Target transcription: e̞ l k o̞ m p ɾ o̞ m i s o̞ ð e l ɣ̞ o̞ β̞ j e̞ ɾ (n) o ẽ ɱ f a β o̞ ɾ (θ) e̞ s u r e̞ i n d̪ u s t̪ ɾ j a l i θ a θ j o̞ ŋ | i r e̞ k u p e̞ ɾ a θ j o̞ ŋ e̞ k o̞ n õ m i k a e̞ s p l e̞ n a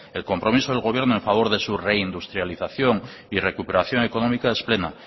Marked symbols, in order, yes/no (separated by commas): yes, no